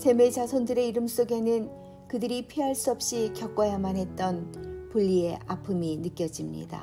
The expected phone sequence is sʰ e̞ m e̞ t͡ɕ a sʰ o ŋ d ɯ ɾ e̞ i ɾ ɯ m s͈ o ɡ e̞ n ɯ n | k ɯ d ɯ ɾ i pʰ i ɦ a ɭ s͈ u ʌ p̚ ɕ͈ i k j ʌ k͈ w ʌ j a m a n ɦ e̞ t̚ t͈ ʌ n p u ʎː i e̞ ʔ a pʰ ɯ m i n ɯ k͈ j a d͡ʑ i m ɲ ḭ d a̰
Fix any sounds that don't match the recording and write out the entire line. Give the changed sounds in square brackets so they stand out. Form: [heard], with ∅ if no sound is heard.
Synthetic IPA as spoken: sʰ e̞ m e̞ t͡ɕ a sʰ o [n] d ɯ ɾ e̞ i ɾ ɯ m s͈ o ɡ e̞ n ɯ n | k ɯ d ɯ ɾ i pʰ i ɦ a ɭ s͈ u ʌ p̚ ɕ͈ i k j ʌ k͈ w ʌ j a m a n ɦ e̞ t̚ t͈ ʌ n p u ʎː i e̞ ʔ a pʰ ɯ m i n ɯ k͈ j [ʌ] d͡ʑ i m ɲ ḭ d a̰